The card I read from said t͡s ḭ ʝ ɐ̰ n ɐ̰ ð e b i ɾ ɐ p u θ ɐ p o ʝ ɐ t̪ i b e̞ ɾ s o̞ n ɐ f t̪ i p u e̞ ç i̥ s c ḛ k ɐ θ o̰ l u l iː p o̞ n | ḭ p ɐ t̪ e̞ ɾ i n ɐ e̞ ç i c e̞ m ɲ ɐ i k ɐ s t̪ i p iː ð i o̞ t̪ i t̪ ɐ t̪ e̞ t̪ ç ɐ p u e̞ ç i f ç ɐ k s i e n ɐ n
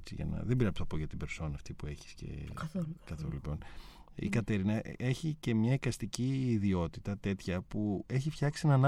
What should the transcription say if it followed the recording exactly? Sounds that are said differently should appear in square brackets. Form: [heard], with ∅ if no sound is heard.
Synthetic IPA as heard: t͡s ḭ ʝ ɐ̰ n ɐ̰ ð e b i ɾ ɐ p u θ ɐ p o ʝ ɐ t̪ i b e̞ ɾ s o̞ n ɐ f t̪ i p u e̞ ç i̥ s c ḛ k ɐ θ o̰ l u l [i] p o̞ n | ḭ [k] ɐ t̪ e̞ ɾ i n ɐ e̞ ç i c e̞ m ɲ ɐ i k ɐ s t̪ i [c] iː ð i o̞ t̪ i t̪ ɐ t̪ e̞ t̪ ç ɐ p u e̞ ç i f ç ɐ k s i e n ɐ n